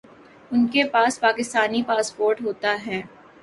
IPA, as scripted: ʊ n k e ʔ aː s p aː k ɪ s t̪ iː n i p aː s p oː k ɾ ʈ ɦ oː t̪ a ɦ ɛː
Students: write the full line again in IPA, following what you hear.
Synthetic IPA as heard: ʊ n k e p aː s p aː k ɪ s t̪ aː n i p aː s p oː ɾ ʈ ɦ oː t̪ a ɦ ɛː